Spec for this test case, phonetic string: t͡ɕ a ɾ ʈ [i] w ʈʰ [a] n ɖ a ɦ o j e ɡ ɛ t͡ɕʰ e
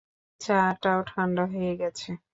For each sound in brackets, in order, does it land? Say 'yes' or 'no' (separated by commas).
no, yes